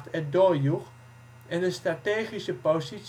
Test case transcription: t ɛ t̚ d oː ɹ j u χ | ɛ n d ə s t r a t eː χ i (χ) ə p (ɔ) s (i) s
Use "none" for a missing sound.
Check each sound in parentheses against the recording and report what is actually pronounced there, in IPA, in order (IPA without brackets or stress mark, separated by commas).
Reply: s, o, i